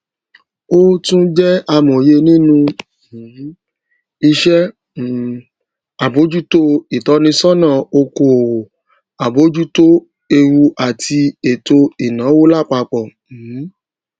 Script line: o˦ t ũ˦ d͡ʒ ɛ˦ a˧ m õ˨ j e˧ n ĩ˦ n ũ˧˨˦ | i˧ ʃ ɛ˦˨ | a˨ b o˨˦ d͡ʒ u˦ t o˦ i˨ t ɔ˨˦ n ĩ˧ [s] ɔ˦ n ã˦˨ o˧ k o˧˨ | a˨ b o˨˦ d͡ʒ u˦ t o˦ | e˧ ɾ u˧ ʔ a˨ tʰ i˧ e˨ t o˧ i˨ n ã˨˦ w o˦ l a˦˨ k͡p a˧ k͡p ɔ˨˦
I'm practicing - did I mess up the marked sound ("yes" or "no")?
no